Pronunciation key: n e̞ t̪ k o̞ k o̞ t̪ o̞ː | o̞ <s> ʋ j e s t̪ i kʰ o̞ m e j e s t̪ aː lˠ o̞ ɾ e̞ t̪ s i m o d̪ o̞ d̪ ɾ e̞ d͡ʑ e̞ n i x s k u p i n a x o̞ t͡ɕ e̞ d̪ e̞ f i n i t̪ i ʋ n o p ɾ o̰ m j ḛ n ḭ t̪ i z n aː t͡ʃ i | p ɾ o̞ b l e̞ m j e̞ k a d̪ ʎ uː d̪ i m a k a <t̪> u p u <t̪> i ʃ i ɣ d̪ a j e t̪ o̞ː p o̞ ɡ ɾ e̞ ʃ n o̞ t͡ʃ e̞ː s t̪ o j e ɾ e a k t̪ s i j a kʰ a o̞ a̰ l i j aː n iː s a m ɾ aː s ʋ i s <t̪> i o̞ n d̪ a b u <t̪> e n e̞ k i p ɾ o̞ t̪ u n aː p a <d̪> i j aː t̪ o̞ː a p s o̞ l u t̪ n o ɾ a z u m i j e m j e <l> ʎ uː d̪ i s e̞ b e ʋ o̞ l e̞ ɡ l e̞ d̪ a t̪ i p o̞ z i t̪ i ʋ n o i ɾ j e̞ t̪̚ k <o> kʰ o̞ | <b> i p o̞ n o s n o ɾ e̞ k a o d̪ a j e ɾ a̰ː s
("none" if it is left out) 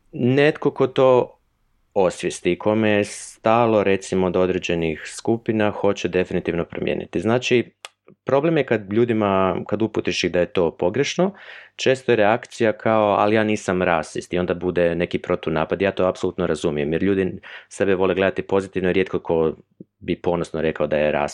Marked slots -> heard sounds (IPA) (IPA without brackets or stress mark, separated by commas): s, d̪, t̪, t̪, d̪, d̪, ɾ, o, b